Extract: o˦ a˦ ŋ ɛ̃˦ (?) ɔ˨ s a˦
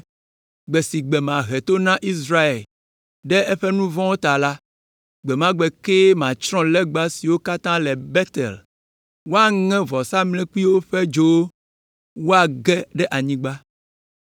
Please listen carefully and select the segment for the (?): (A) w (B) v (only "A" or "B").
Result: B